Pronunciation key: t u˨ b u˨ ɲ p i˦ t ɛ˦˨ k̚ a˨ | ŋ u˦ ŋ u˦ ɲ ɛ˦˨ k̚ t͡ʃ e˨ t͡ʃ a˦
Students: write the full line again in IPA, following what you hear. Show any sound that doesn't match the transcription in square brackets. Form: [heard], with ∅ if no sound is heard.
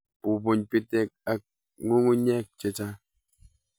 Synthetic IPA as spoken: [p] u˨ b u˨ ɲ p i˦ t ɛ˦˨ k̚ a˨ | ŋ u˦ ŋ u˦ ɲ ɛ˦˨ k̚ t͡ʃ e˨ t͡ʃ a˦